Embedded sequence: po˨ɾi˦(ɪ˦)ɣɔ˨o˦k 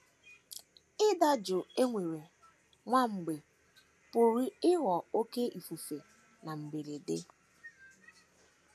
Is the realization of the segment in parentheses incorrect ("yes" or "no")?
no